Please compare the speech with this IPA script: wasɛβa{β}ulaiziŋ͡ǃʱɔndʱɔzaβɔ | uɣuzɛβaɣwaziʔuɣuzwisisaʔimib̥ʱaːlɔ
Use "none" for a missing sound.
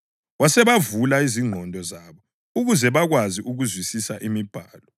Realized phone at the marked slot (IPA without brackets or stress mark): v